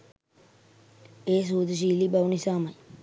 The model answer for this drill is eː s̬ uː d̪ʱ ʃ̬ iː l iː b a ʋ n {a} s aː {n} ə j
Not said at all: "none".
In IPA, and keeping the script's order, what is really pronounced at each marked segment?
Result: i, m

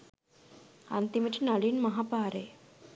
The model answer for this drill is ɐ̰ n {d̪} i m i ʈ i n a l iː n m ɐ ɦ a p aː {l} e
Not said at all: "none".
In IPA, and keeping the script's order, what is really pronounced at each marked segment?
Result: t̪, ɾ

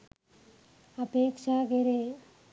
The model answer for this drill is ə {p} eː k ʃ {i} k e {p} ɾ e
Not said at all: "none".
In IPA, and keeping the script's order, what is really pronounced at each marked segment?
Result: p, a, none

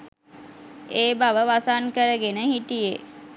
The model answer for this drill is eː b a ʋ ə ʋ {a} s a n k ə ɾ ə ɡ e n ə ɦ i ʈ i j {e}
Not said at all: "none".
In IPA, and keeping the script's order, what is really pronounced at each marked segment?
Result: a, e

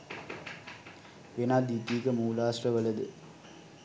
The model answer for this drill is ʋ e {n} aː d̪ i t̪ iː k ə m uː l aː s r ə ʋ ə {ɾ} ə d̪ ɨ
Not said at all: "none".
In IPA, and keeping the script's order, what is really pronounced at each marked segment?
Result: n, l

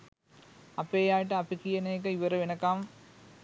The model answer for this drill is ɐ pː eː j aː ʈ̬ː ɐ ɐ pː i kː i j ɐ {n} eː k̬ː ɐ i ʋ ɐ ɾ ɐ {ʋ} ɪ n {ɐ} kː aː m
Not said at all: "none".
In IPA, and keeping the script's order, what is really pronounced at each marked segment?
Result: n, ʋ, ɐ

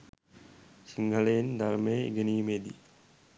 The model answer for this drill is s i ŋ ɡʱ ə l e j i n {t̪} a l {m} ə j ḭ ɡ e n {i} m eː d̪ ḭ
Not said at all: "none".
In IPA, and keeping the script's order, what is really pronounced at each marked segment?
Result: d̪, m, iː

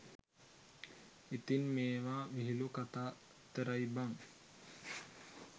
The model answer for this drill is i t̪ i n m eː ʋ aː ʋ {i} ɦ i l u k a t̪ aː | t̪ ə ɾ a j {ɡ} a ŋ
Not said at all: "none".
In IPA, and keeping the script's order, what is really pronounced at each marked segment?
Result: i, b

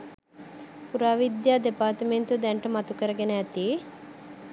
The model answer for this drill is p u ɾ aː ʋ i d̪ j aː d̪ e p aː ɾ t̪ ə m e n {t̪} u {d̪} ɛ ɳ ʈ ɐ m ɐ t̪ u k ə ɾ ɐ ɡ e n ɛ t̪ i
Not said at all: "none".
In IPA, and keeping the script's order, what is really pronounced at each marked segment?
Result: t̪, d̪

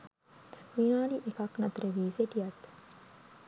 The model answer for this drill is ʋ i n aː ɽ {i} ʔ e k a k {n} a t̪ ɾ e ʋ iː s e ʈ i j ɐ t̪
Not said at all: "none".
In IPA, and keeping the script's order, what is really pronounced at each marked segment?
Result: i, n

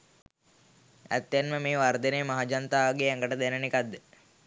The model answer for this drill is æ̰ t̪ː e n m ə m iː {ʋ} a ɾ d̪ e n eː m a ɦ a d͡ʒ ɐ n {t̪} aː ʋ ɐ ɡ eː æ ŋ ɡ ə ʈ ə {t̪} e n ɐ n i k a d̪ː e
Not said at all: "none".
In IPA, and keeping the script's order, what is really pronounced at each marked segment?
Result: ʋ, t̪, d̪

